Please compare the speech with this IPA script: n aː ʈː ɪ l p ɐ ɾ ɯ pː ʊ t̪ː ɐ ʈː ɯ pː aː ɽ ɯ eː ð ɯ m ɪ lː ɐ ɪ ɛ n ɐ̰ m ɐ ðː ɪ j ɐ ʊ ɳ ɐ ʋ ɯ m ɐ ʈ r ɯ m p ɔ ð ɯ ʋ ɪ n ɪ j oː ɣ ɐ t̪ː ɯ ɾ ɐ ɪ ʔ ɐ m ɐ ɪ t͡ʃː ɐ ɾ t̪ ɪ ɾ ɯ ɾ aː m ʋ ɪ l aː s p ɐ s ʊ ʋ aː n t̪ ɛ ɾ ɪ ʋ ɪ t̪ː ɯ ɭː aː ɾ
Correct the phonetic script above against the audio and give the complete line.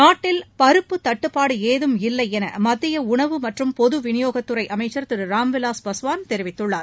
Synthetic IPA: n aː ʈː ɪ l p ɐ ɾ ɯ pː ɯ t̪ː ɐ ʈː ɯ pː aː ɽ ɯ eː ð ɯ m ɪ lː ɐ ɪ ɛ n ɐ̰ m ɐ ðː ɪ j ɐ ʊ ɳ ɐ ʋ ɯ m ɐ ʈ r ɯ m p ɔ ð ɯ ʋ ɪ n ɪ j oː ɣ ɐ t̪ː ɯ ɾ ɐ ɪ ʔ ɐ m ɐ ɪ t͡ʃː ɐ ɾ t̪ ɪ ɾ ɯ ɾ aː m ʋ ɪ l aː s p ɐ s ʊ ʋ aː n t̪ ɛ ɾ ɪ ʋ ɪ t̪ː ɯ ɭː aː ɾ